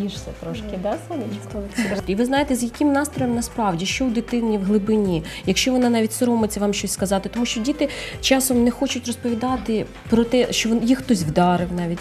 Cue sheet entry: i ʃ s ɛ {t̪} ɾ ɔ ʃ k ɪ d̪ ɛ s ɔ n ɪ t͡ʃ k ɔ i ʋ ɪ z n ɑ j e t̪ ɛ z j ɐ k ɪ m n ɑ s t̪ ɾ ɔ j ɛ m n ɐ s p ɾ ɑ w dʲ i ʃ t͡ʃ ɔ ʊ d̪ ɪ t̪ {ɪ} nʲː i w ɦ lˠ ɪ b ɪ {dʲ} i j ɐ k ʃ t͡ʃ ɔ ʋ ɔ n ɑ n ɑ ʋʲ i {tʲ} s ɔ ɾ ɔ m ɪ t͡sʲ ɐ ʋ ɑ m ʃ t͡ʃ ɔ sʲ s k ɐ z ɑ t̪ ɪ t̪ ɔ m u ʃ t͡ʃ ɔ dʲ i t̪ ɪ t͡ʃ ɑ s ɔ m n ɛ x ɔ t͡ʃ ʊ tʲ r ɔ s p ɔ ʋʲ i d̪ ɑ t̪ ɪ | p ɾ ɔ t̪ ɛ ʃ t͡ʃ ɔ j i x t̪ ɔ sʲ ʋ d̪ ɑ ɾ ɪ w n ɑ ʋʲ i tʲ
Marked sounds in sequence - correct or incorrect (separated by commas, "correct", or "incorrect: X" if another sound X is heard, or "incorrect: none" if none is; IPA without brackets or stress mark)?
correct, correct, incorrect: nʲ, correct